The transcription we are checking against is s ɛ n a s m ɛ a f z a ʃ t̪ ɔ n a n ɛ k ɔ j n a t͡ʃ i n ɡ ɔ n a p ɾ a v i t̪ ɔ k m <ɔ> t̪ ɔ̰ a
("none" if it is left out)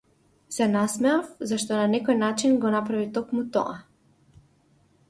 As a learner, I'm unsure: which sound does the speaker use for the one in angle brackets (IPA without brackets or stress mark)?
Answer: u